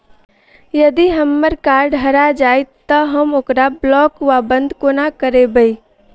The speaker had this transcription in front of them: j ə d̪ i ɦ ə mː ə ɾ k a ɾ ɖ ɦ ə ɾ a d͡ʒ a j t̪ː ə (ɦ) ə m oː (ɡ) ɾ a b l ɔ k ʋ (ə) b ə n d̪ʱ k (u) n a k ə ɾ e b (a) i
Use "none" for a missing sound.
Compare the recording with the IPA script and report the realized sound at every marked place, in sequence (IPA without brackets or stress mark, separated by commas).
ɦ, k, a, o, ə